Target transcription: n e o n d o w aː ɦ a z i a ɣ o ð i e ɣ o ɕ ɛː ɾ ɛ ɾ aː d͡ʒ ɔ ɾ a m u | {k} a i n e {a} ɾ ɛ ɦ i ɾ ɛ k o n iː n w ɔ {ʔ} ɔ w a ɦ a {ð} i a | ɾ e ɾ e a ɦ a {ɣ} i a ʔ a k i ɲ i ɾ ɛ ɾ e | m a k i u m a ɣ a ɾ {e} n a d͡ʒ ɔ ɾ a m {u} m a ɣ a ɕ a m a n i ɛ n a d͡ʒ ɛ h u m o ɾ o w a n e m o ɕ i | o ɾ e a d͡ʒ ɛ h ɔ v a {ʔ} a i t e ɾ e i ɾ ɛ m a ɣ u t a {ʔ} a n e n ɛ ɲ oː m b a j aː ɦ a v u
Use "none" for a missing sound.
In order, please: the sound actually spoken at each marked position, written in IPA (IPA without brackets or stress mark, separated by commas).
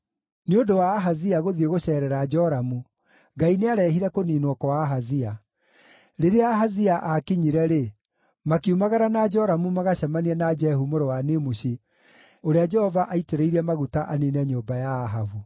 ɡ, a, k, z, z, a, u, ʔ, ʔ